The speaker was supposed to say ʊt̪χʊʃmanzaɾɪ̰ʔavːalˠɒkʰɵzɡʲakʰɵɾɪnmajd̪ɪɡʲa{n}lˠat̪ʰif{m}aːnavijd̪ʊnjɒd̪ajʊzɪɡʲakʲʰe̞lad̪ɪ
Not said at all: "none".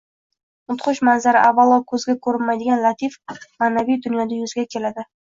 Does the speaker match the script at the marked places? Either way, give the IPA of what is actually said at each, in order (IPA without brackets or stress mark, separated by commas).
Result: n, m